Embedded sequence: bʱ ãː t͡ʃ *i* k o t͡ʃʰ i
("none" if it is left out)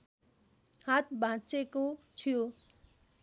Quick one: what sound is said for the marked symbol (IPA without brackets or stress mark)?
e